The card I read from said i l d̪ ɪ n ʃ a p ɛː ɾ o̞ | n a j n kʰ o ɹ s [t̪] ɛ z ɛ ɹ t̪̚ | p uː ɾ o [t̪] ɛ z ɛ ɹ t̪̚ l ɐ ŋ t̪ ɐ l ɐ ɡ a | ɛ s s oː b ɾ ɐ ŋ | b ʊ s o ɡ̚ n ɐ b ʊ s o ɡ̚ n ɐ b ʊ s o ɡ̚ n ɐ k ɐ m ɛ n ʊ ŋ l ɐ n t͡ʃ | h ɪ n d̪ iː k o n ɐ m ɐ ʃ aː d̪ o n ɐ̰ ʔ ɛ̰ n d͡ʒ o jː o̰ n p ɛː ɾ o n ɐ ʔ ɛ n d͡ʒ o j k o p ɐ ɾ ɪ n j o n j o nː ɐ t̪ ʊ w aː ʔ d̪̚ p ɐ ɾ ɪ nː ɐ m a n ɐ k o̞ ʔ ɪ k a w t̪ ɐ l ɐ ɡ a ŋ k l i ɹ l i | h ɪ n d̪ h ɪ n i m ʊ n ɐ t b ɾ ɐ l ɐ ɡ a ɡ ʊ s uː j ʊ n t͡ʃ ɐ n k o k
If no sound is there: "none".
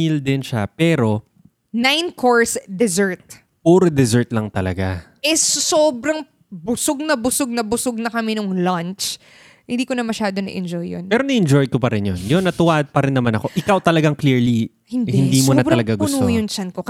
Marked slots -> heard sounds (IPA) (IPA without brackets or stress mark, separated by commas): d̪, d̪